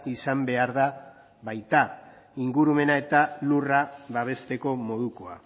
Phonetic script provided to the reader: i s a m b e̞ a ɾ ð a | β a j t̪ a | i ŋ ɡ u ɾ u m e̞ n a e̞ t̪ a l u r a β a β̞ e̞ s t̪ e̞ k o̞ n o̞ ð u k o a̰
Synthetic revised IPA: i s a m b e̞ a ɾ ð a | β a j t̪ a | i ŋ ɡ u ɾ u m e̞ n a e̞ t̪ a l u r a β a β̞ e̞ s t̪ e̞ k o̞ m o̞ ð u k o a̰